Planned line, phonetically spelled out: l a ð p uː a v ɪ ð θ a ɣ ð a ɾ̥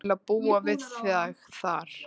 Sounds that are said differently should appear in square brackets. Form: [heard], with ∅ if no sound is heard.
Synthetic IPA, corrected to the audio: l a ð p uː a v ɪ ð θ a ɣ [θ] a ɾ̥

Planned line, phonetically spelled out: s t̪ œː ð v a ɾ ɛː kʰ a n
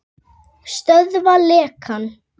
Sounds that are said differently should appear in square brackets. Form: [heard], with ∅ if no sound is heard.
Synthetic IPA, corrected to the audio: s t̪ [œ] ð v a [l] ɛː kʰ a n

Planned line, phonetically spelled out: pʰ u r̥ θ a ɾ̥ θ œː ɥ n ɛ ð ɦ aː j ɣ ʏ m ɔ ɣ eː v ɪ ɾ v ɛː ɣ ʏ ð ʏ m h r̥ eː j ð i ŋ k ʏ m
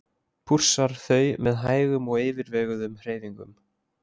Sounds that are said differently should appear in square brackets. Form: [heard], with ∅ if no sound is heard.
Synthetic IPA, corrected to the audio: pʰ u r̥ [s] a ɾ̥ θ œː ɥ [m] ɛ ð ɦ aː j ɣ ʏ m ɔ ɣ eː v ɪ ɾ v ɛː ɣ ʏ ð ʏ m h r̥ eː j ð i ŋ k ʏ m

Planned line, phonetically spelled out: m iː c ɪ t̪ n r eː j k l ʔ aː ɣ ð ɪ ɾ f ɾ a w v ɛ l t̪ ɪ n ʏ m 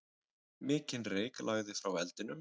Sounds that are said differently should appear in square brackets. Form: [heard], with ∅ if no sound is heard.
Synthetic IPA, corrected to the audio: m [ɪː] c ɪ [∅] n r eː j k l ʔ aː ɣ ð ɪ [∅] f ɾ a w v ɛ l t̪ ɪ n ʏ m

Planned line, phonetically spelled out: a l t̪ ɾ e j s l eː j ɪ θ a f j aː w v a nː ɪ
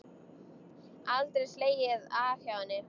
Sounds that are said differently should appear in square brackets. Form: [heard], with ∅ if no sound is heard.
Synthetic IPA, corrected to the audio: a l t̪ ɾ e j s l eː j ɪ [ð] a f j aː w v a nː ɪ

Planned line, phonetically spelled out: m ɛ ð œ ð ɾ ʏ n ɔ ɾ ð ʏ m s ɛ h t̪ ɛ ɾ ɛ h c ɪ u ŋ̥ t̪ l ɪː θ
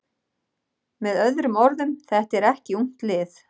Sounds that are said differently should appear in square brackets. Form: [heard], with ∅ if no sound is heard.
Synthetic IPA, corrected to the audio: m ɛ ð œ ð ɾ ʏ [m] ɔ ɾ ð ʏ m [θ] ɛ h t̪ ɛ ɾ ɛ h c ɪ u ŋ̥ t̪ l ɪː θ

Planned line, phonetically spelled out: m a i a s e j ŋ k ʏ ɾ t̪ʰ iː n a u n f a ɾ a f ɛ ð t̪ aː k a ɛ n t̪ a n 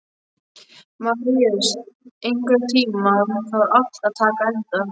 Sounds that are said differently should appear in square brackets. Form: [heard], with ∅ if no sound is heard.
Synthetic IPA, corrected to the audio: m a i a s e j ŋ k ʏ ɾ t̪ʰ iː [m] a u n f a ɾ a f [a] ð [t̪ʰ] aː k a ɛ n t̪ a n

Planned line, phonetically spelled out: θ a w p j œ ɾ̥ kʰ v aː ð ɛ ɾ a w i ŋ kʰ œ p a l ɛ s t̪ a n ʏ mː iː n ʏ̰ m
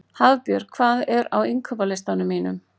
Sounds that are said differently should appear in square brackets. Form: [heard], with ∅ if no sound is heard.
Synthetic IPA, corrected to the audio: [h] a [v] p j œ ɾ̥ kʰ v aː ð ɛ ɾ a w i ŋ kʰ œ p a l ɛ s t̪ a n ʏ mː iː n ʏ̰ m

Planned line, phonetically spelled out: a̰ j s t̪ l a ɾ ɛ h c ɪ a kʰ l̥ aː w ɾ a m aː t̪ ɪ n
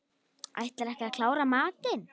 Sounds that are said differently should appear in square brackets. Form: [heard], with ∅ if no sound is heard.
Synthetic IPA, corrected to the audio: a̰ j [h] t̪ l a ɾ ɛ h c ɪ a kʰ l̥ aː w ɾ a m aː t̪ ɪ n

